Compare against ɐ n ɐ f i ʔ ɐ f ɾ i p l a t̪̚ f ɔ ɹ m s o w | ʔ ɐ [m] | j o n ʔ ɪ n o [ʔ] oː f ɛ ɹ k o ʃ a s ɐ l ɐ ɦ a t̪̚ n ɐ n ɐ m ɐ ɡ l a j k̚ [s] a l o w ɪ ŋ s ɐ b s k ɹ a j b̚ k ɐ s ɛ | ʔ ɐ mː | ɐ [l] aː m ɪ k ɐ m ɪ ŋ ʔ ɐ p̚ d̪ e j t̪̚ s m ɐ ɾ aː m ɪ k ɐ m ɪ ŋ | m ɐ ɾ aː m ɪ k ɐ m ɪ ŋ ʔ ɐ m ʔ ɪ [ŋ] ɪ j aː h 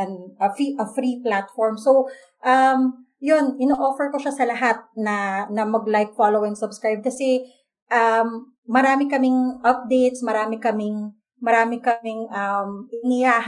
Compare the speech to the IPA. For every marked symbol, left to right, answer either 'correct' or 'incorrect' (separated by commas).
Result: correct, correct, incorrect, incorrect, incorrect